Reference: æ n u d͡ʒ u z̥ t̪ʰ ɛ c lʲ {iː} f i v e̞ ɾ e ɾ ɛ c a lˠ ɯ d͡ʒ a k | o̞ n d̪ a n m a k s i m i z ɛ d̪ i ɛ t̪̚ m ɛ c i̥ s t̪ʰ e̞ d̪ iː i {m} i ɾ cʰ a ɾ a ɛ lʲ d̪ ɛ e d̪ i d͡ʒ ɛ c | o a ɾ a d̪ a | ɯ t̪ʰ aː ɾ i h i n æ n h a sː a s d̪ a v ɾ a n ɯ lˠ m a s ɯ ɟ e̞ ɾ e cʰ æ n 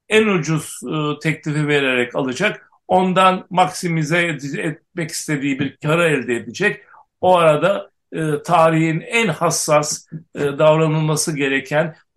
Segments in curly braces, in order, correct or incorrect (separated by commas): incorrect, incorrect